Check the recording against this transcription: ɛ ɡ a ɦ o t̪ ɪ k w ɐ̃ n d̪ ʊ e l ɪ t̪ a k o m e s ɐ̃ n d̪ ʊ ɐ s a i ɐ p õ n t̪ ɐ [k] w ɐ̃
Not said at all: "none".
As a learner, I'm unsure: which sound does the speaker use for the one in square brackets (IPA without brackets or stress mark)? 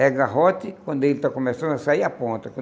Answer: k